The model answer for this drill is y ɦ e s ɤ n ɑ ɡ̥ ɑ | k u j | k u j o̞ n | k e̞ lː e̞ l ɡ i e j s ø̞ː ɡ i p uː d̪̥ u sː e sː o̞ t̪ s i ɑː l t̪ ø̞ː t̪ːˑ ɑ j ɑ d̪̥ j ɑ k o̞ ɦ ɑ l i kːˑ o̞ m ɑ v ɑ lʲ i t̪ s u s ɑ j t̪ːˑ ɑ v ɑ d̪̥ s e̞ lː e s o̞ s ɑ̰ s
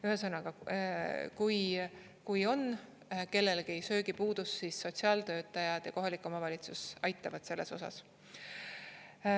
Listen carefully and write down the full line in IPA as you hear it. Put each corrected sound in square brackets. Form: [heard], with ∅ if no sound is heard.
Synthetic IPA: y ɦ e s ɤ n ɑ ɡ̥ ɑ | k u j | k u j o̞ n | k e̞ lː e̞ l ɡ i e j s ø̞ː ɡ i p uː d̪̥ u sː [i] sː o̞ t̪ s i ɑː l t̪ ø̞ː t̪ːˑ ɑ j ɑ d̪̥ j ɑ k o̞ ɦ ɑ l i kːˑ o̞ m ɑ v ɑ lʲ i t̪ s u s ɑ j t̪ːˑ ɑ v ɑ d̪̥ s e̞ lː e s o̞ s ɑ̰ s